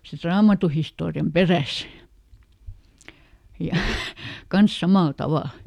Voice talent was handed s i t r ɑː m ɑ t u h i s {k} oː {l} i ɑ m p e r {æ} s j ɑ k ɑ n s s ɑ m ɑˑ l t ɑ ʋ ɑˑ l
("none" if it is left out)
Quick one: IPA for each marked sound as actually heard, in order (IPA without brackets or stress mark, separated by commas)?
t, r, æ